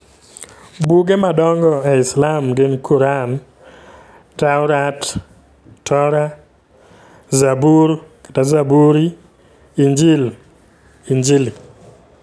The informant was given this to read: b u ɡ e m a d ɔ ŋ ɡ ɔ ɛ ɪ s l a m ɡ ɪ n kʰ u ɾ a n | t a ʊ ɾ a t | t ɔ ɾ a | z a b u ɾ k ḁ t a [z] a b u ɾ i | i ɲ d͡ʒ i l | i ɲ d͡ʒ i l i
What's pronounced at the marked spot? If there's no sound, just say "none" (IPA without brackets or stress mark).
z